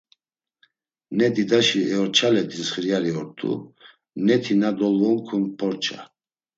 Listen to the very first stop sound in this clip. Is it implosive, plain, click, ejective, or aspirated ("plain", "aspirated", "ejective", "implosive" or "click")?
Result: plain